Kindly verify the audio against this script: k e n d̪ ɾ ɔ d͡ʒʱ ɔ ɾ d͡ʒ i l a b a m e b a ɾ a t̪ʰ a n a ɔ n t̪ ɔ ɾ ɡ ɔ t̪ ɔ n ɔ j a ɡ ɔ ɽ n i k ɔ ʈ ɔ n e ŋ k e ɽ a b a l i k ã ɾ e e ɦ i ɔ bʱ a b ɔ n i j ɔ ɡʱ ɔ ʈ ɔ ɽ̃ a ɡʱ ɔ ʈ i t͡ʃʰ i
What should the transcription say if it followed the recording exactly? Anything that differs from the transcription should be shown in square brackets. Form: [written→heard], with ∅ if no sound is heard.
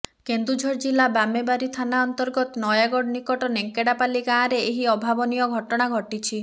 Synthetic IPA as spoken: k e n d̪ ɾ [ɔ→u] d͡ʒʱ ɔ ɾ d͡ʒ i l a b a m e b a ɾ [a→i] t̪ʰ a n a ɔ n t̪ ɔ ɾ ɡ ɔ t̪ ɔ n ɔ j a ɡ ɔ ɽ n i k ɔ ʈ ɔ n e ŋ k e ɽ a [b→p] a l i k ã ɾ e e ɦ i ɔ bʱ a b ɔ n i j ɔ ɡʱ ɔ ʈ ɔ ɽ̃ a ɡʱ ɔ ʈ i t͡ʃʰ i